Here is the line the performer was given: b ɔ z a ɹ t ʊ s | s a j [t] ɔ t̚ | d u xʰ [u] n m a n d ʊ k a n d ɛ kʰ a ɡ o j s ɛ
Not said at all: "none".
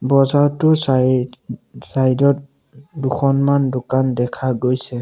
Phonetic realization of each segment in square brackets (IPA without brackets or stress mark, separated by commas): d, ɔ